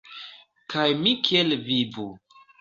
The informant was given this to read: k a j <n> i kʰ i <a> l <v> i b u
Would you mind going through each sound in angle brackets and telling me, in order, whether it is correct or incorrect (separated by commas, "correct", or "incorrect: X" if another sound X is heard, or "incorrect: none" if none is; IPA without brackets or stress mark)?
incorrect: m, incorrect: e, correct